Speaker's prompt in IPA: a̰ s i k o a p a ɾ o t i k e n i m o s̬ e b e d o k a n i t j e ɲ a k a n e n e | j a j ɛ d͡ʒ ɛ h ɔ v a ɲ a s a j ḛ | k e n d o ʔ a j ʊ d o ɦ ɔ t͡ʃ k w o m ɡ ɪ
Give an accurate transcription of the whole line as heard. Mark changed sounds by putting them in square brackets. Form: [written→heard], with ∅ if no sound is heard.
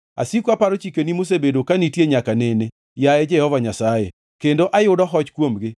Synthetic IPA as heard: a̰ s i k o a p a ɾ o [t→t͡ʃ] i k e n i m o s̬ e b e d o k a n i t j e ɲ a k a n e n e | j a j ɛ d͡ʒ ɛ h ɔ v a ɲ a s a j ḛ | k e n d o ʔ a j ʊ d [o→ɔ] ɦ ɔ t͡ʃ k w o m ɡ ɪ